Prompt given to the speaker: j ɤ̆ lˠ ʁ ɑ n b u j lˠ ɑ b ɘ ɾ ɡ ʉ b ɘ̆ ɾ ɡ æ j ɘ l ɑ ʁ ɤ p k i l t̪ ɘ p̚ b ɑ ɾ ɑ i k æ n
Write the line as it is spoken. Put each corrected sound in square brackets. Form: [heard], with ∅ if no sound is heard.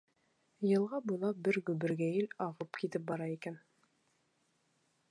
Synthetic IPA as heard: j ɤ̆ lˠ ʁ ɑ [∅] b u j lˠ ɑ b ɘ ɾ ɡ ʉ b ɘ̆ ɾ ɡ æ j ɘ l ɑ ʁ ɤ p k i [∅] t̪ ɘ p̚ b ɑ ɾ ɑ i k æ n

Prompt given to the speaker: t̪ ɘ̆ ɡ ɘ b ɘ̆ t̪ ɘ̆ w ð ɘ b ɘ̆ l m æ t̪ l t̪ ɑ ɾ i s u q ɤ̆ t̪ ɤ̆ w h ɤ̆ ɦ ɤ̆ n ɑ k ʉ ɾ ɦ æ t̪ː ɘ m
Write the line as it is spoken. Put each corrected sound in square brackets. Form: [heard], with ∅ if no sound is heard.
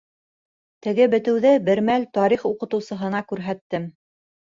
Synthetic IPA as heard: t̪ ɘ̆ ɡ ɘ b ɘ̆ t̪ ɘ̆ w ð ɘ b ɘ̆ [ɾ] m æ [∅] l t̪ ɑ ɾ i [χ] u q ɤ̆ t̪ ɤ̆ w [s] ɤ̆ ɦ ɤ̆ n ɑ k ʉ ɾ ɦ æ t̪ː ɘ m

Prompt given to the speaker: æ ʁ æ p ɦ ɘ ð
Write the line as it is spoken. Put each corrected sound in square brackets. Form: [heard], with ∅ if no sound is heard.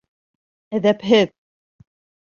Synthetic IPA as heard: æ [ð] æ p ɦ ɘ ð

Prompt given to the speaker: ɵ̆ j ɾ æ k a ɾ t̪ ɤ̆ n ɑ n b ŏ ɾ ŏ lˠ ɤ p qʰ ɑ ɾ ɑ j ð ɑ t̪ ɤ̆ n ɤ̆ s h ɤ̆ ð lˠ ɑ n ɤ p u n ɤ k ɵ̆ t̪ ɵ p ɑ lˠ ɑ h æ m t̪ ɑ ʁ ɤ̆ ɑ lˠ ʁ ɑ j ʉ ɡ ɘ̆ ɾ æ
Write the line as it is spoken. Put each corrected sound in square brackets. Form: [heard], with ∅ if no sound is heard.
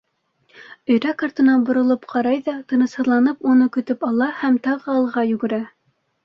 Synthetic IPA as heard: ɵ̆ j ɾ æ k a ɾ t̪ ɤ̆ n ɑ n b ŏ ɾ ŏ lˠ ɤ p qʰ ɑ ɾ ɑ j ð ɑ t̪ ɤ̆ n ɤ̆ s h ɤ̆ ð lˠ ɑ n ɤ p u n ɤ k ɵ̆ t̪ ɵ p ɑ lˠ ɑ h æ m t̪ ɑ ʁ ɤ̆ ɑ lˠ ʁ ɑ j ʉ ɡ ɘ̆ ɾ æ

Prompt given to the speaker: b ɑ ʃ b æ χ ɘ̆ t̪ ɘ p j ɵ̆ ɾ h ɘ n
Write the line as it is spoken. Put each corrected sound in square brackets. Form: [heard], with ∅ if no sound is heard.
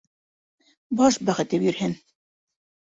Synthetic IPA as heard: b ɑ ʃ b æ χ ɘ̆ t̪ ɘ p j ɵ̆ ɾ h ɘ n

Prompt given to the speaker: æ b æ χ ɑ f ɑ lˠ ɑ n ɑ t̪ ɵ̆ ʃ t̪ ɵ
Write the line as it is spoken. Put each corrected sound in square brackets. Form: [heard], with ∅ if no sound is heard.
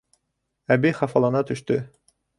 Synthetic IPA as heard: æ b [i] χ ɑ f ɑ lˠ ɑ n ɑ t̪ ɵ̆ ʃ t̪ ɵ

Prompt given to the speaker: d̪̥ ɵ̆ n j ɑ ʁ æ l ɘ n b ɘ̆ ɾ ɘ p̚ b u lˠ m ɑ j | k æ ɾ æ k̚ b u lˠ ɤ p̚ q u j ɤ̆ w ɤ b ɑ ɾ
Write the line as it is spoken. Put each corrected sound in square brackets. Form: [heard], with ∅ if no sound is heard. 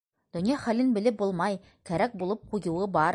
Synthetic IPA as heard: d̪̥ ɵ̆ n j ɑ [χ] æ l ɘ n b ɘ̆ [l] ɘ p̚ b u lˠ m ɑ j | k æ ɾ æ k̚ b u lˠ ɤ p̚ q u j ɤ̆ w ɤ b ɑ ɾ

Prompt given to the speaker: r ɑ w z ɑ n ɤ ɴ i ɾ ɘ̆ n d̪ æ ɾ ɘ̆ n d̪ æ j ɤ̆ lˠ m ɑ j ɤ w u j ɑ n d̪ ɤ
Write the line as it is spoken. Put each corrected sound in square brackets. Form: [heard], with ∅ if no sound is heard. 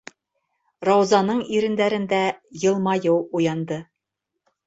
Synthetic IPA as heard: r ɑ w z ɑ n ɤ ɴ i ɾ ɘ̆ n d̪ æ ɾ ɘ̆ n d̪ æ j ɤ̆ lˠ m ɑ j ɤ w u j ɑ n d̪ ɤ

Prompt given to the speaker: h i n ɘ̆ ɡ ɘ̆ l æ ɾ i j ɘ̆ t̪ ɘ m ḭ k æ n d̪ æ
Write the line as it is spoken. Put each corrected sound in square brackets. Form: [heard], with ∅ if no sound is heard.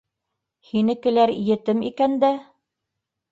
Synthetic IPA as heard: h i n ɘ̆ [k] ɘ̆ l æ ɾ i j ɘ̆ t̪ ɘ m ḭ k æ n d̪ æ

